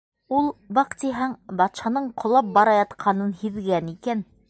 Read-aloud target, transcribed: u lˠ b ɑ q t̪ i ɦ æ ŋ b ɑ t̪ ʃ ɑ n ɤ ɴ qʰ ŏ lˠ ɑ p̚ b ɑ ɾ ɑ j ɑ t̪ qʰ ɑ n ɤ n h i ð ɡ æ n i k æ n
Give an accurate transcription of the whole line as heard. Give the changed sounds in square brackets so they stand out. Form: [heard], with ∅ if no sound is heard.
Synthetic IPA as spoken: u lˠ b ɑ q t̪ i ɦ æ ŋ b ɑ t̪ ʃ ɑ n ɤ ɴ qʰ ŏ lˠ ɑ p̚ b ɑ ɾ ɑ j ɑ t̪ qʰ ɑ n ɤ n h i ð ɡ æ n i k æ n